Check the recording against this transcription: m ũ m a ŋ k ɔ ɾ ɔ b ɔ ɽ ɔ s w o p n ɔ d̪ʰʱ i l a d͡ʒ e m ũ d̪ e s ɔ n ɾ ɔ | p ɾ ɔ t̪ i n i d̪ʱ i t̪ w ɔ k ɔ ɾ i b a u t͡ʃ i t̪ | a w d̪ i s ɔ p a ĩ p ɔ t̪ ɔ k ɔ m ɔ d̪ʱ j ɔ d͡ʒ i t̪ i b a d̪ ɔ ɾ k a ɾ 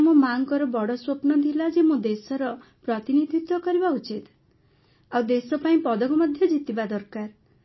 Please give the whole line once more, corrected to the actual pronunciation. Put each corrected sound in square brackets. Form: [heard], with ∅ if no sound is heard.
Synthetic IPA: m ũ m a ŋ k ɔ ɾ ɔ b ɔ ɽ ɔ s w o p n ɔ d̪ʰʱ i l a d͡ʒ e m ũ d̪ e s ɔ [∅] ɾ ɔ | p ɾ ɔ t̪ i n i d̪ʱ i t̪ w ɔ k ɔ ɾ i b a u t͡ʃ i t̪ | a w d̪ [e] s ɔ p a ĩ p ɔ [d̪] ɔ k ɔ m ɔ d̪ʱ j ɔ d͡ʒ i t̪ i b a d̪ ɔ ɾ k a ɾ